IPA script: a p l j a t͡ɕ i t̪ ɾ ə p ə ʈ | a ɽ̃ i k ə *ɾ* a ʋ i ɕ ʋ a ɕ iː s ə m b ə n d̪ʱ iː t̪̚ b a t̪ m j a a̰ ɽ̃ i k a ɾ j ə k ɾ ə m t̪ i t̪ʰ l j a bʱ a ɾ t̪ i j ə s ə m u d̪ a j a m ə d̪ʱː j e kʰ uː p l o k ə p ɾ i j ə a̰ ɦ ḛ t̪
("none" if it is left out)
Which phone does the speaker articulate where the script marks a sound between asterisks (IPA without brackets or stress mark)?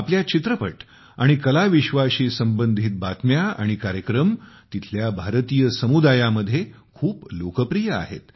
l